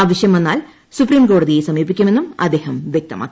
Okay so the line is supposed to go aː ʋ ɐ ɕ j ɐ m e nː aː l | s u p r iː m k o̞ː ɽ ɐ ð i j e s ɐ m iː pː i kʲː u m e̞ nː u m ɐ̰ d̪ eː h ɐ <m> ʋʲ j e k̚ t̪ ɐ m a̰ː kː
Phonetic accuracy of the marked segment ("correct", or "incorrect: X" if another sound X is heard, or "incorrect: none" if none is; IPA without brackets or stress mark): correct